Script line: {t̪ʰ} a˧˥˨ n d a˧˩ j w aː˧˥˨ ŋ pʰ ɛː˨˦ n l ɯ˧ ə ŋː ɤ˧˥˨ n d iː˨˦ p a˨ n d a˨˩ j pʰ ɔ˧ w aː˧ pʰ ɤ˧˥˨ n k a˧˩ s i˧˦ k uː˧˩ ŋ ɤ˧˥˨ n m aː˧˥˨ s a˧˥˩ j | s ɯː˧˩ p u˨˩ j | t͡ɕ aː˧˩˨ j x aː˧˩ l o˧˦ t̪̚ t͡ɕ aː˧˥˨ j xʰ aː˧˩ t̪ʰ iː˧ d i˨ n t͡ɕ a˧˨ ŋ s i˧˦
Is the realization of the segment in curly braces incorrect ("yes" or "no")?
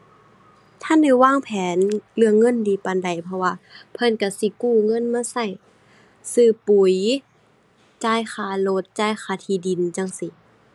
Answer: no